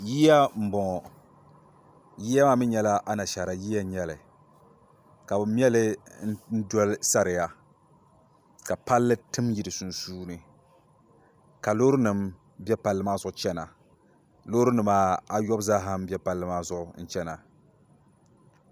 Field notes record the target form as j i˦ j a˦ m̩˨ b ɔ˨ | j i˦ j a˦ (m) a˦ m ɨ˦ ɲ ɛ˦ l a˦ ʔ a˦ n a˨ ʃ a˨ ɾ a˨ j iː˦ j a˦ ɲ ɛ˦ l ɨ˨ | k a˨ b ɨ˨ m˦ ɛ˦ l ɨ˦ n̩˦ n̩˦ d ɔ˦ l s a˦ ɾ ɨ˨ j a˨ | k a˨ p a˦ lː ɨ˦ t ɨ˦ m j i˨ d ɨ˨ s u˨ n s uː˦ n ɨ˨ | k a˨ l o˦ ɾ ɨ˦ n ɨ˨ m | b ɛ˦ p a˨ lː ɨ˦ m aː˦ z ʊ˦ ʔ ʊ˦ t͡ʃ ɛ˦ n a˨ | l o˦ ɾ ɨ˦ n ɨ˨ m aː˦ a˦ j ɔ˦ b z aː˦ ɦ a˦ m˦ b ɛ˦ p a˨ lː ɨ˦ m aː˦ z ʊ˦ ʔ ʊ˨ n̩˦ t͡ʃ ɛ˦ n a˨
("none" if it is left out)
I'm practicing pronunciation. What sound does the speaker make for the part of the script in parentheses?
m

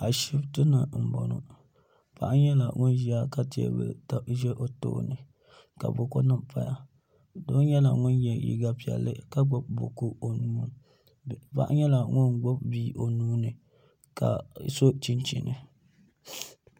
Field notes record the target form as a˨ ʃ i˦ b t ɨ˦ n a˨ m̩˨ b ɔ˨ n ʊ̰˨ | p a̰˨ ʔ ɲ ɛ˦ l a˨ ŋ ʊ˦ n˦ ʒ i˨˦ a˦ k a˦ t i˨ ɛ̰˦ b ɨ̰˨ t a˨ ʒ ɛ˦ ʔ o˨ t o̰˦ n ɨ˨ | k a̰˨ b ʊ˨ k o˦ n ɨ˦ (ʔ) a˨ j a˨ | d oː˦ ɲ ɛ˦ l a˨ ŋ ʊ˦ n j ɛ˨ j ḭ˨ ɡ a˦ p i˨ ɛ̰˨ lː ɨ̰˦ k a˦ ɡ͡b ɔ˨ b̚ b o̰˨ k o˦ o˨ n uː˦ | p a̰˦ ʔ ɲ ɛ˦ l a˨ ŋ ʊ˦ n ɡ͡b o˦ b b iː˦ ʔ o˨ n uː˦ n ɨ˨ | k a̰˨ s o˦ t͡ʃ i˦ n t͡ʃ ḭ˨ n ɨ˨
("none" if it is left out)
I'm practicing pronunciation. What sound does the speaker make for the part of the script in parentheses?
p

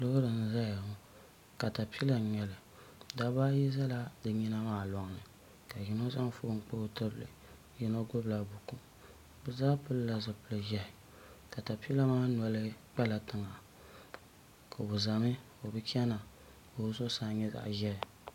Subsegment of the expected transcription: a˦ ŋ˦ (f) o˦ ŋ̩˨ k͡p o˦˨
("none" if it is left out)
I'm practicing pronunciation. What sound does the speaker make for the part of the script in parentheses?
f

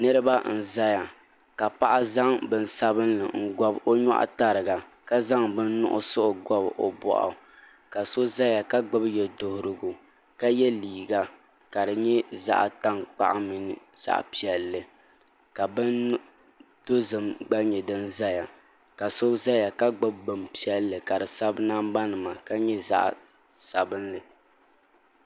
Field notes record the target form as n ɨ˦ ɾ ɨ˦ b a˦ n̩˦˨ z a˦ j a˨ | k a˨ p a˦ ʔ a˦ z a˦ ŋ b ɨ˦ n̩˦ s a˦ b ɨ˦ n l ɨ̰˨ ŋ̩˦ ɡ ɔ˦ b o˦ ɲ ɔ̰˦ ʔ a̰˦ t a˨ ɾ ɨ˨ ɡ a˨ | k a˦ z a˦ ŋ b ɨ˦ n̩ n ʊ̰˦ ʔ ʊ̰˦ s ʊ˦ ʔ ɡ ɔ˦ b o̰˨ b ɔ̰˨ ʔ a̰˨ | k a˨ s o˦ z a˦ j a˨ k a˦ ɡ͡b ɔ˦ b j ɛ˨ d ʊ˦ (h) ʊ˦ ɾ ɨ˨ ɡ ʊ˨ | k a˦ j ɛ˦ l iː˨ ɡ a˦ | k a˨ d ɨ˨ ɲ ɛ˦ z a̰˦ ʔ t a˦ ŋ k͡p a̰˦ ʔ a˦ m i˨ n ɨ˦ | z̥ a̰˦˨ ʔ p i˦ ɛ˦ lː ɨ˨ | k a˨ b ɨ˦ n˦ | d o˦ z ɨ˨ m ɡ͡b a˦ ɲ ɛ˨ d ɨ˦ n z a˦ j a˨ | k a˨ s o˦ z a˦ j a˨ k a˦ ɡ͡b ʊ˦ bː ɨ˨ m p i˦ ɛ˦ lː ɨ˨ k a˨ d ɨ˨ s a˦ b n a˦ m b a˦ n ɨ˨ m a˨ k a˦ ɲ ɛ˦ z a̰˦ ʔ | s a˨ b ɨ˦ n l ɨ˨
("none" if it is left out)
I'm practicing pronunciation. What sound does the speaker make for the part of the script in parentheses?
h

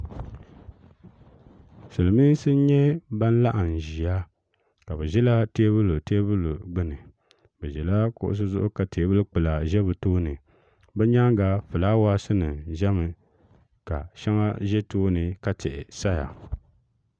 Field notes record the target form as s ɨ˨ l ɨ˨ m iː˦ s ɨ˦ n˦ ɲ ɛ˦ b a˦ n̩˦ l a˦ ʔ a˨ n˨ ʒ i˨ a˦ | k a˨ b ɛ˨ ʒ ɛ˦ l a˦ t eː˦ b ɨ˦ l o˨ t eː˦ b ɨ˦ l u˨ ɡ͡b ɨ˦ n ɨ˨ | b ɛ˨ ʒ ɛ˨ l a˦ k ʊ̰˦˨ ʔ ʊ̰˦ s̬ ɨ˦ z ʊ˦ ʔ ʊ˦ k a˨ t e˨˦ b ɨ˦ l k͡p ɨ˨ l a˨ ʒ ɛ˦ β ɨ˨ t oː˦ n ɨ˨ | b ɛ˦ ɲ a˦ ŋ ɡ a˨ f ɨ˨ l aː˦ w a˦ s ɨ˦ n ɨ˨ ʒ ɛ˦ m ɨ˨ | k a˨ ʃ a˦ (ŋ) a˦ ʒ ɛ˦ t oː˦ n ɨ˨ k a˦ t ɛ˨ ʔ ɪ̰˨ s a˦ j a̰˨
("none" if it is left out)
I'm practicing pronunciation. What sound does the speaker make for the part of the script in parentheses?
ŋ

